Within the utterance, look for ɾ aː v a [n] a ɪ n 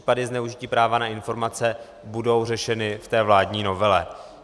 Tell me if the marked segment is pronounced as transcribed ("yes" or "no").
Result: yes